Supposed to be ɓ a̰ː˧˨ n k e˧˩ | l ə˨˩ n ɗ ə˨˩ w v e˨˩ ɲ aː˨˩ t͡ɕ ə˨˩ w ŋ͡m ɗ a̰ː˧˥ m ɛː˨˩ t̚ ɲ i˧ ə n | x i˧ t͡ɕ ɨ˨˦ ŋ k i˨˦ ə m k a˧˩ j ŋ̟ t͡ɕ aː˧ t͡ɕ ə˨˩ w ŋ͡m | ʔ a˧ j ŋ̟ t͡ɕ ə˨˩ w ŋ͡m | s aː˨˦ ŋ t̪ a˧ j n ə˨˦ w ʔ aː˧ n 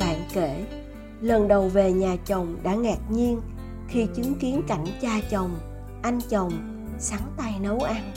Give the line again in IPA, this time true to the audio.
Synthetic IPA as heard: ɓ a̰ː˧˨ n k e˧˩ | l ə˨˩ n ɗ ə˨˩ w v e˨˩ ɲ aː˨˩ t͡ɕ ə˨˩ w ŋ͡m ɗ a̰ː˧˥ ŋ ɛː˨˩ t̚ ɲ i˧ ə n | x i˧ t͡ɕ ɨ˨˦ ŋ k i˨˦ ə n k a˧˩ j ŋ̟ t͡ɕ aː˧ t͡ɕ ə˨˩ w ŋ͡m | ʔ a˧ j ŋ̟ t͡ɕ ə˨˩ w ŋ͡m | s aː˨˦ ŋ t̪ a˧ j n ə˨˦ w ʔ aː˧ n